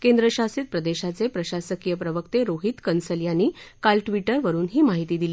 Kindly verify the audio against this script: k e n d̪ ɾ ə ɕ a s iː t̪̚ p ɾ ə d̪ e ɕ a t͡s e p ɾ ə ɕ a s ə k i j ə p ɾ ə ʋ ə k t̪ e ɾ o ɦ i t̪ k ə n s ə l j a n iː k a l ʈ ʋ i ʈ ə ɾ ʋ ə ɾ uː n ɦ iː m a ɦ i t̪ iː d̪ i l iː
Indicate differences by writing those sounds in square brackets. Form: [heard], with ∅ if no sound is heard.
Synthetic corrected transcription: k e n d̪ ɾ ə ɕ a s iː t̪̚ p ɾ ə d̪ e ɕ a t͡s e p ɾ ə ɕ a s ə k i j ə p ɾ ə ʋ ə k t̪ e ɾ o ɦ i t̪ k ə n s ə l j a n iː k a l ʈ ʋ i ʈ ə ɾ ʋ ə ɾ uː n ɦ iː m a ɦ i t̪ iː d̪ i l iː